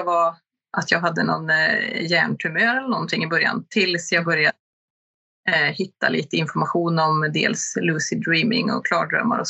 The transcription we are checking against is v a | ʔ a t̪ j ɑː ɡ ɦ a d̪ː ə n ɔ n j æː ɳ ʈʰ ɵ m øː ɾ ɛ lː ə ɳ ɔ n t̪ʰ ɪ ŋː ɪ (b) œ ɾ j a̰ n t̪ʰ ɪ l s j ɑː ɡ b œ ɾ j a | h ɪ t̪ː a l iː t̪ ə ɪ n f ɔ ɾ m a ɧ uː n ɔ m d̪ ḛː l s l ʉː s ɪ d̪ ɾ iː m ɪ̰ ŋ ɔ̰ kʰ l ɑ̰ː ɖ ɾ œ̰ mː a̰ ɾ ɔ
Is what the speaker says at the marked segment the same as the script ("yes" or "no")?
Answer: yes